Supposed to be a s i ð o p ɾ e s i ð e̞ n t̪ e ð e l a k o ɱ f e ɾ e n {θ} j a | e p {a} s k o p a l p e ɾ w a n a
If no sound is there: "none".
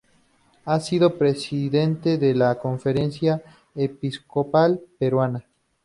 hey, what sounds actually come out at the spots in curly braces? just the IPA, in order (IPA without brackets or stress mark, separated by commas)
s, i